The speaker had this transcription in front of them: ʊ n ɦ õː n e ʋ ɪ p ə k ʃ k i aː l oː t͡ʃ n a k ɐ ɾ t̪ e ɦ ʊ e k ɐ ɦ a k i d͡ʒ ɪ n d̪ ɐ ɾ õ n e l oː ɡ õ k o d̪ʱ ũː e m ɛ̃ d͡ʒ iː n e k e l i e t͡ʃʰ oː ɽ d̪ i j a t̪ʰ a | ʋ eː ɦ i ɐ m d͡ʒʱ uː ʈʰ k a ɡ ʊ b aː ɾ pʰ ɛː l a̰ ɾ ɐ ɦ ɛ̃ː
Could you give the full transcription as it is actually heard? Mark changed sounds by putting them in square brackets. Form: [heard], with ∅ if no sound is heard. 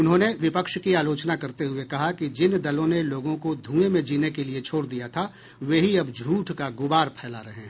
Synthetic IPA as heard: ʊ n ɦ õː n e ʋ ɪ p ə k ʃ k i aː l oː t͡ʃ n a k ɐ ɾ t̪ e ɦ ʊ e k ɐ ɦ a k i d͡ʒ ɪ n d̪ ɐ [l] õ n e l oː ɡ õ k o d̪ʱ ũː e m [ẽ] d͡ʒ iː n e k e l i e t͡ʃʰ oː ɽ d̪ i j a t̪ʰ a | ʋ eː ɦ i ɐ [b] d͡ʒʱ uː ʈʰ k a ɡ ʊ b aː ɾ pʰ ɛː l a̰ ɾ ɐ ɦ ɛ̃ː